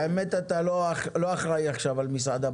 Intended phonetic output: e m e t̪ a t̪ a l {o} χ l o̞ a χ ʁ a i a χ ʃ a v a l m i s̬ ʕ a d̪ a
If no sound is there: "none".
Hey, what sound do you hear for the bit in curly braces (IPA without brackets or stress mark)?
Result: o